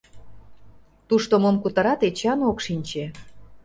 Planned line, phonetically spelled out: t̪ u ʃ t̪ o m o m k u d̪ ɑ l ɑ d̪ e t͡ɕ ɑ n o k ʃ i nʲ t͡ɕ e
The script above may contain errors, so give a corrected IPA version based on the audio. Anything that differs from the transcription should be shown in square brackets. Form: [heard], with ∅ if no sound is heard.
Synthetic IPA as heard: t̪ u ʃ t̪ o m o m k u [t̪] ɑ [ɾ] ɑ [t̪] e t͡ɕ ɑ n o k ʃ i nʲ t͡ɕ e